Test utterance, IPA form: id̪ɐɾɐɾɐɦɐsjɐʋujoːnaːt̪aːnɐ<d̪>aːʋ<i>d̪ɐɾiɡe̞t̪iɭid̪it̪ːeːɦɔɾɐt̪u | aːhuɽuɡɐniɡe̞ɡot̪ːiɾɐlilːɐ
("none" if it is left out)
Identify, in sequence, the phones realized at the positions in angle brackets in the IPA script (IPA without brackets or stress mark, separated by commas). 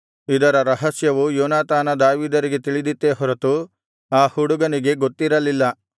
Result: d̪, iː